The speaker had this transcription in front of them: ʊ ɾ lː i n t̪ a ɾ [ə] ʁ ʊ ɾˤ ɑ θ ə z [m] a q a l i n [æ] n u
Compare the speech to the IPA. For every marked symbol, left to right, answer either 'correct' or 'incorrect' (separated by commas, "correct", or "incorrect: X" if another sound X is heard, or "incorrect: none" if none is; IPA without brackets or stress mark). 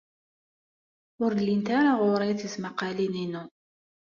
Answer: incorrect: a, correct, incorrect: i